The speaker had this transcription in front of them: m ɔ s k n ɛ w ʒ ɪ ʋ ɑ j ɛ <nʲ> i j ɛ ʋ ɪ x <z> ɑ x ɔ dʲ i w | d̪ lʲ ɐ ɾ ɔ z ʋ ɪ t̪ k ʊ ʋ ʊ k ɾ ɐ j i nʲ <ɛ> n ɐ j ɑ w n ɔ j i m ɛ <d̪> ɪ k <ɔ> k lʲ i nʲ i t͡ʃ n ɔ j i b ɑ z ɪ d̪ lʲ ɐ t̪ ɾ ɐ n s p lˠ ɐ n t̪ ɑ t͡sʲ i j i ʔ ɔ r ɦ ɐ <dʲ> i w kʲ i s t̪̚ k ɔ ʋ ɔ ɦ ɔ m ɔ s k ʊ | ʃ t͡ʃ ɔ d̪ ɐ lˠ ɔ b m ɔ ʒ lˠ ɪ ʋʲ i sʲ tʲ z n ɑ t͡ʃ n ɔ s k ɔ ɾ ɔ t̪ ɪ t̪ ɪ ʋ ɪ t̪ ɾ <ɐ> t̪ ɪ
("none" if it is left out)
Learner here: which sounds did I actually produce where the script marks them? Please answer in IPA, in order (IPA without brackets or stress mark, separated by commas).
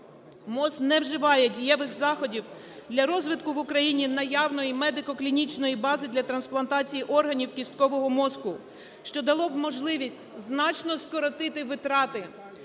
dʲ, z, i, d̪, ɔ, nʲ, ɑ